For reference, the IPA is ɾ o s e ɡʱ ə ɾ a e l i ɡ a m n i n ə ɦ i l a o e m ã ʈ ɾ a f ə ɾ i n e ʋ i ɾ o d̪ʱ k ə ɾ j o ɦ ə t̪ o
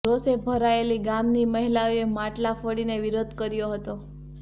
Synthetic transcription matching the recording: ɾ o s e bʱ ə ɾ a e l i ɡ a m n i m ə ɦ i l a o e m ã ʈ l a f ə ɽ i n e ʋ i ɾ o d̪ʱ k ə ɾ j o ɦ ə t̪ o